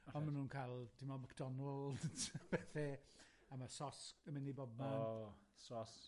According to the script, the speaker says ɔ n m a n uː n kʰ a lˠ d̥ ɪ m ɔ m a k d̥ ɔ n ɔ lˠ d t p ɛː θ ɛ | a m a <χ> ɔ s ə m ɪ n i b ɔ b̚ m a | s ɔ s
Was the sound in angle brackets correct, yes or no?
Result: no